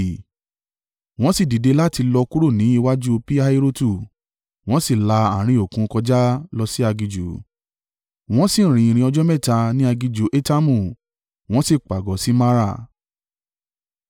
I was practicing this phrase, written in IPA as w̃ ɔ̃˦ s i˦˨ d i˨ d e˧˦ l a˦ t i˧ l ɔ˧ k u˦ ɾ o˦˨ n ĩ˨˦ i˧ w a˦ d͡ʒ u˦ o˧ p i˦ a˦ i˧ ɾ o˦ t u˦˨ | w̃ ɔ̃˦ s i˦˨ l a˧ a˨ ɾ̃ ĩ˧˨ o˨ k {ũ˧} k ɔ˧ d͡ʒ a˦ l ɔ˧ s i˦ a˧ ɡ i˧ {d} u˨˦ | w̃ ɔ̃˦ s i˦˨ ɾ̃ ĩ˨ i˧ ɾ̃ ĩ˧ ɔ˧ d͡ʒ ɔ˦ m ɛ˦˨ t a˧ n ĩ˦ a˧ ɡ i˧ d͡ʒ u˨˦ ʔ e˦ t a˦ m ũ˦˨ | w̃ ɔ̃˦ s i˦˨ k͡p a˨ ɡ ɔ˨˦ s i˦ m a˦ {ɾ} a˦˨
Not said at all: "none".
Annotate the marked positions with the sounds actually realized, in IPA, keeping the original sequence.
ũ˧, d͡ʒ, ɾ

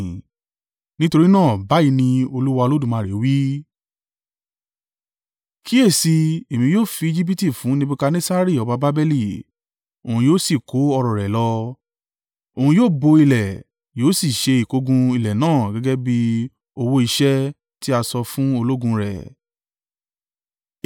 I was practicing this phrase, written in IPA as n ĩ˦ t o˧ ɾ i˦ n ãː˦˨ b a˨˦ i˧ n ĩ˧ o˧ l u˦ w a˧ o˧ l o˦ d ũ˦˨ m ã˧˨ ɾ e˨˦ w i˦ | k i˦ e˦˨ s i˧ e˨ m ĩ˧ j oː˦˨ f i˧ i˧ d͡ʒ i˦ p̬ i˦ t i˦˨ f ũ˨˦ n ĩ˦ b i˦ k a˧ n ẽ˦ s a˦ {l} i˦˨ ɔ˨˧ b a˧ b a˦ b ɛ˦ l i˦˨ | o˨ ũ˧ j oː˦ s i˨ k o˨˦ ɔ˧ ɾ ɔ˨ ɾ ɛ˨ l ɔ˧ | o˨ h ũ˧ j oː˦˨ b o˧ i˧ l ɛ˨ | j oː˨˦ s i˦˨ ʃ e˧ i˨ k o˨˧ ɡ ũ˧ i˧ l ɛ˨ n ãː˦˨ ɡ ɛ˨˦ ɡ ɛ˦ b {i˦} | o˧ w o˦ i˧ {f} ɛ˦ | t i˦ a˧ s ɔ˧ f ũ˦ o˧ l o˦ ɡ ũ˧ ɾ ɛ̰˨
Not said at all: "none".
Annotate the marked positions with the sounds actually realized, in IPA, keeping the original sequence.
ɾ, i˦, ʃ

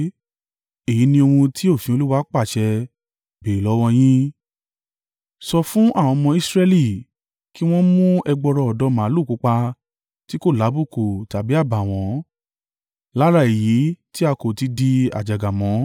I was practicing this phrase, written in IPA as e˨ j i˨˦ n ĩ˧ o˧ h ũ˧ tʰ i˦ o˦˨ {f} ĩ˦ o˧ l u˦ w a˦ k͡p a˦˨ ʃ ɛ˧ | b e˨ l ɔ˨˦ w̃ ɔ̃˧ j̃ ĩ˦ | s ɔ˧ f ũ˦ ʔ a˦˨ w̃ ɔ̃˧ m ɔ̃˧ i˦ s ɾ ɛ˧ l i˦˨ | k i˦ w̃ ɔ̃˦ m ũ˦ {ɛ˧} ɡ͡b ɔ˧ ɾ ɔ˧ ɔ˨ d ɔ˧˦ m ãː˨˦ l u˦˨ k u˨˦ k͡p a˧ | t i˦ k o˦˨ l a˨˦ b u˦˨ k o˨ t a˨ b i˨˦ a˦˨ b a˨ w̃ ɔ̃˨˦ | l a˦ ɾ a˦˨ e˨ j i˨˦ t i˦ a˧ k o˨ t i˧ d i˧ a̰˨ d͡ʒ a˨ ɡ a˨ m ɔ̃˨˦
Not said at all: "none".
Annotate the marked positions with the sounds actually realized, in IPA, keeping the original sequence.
f, ɛ˧

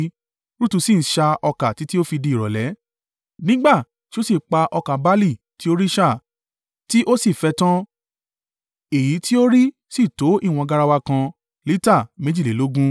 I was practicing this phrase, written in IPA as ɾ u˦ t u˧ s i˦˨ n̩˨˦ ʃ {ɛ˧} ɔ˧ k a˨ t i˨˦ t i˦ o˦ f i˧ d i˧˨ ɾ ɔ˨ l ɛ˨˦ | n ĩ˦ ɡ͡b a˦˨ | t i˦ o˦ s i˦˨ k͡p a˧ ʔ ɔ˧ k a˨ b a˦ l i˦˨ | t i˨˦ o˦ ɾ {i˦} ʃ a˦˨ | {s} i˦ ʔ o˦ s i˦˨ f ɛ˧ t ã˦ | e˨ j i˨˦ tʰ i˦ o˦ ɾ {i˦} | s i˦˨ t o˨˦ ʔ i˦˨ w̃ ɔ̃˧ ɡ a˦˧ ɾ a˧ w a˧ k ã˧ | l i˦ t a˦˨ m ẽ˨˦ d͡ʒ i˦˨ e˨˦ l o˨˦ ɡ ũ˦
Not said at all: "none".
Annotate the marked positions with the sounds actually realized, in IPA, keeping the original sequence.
a˧, i˦, t, i˦

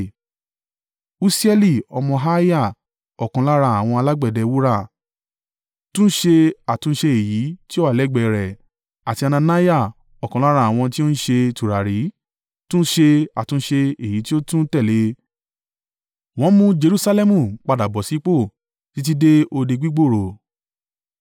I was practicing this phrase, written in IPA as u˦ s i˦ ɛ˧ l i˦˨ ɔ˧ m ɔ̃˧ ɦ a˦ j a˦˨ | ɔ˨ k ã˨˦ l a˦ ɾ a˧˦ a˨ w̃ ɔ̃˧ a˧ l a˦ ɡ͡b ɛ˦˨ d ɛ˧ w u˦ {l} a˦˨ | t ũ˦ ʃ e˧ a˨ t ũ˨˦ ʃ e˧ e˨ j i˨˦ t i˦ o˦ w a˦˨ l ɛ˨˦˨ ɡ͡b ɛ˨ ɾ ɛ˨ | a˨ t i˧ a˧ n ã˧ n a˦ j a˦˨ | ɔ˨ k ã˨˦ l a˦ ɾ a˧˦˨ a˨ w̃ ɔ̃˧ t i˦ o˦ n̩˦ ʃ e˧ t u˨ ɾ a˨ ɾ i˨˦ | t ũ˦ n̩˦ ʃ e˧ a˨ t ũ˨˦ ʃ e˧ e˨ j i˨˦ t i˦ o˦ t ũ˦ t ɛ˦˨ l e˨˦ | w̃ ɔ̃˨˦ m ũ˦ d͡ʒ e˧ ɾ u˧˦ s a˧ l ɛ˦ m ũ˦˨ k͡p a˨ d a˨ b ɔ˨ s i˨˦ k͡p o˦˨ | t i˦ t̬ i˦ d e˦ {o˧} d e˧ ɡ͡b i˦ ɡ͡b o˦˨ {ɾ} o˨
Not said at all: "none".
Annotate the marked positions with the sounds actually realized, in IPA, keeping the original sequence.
ɾ, o˧, ɾ

